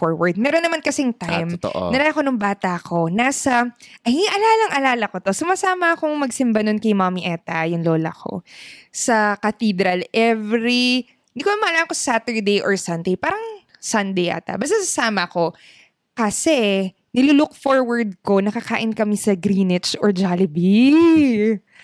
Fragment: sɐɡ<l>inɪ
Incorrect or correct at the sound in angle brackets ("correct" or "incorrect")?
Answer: incorrect